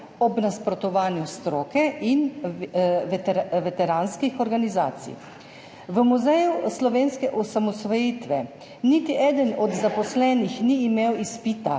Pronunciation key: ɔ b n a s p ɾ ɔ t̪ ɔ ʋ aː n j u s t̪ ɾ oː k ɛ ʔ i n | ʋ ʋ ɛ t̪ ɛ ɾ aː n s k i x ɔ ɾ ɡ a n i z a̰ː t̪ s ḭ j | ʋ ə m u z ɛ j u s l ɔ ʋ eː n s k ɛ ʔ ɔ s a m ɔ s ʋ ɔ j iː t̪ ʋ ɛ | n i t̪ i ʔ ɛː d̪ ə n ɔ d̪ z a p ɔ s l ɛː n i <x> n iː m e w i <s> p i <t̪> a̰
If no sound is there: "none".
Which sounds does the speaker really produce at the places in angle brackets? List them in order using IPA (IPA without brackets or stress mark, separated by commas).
x, s, t̪